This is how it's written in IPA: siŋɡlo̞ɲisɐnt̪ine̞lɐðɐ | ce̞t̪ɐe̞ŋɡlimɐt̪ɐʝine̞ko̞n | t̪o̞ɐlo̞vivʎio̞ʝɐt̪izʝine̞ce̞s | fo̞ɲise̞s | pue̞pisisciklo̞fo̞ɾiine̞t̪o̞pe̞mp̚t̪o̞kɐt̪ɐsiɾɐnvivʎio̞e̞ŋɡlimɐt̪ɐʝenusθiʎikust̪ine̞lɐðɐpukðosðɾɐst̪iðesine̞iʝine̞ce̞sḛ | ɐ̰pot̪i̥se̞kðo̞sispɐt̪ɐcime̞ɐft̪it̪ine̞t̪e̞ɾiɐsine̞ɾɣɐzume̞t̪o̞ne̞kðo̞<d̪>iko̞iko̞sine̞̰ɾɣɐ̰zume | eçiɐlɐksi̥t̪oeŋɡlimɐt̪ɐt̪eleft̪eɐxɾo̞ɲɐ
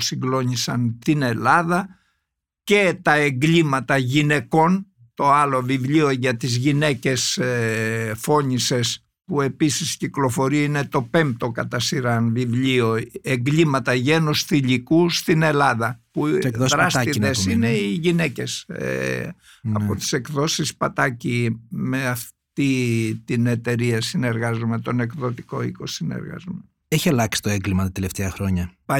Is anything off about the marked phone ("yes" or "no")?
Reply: yes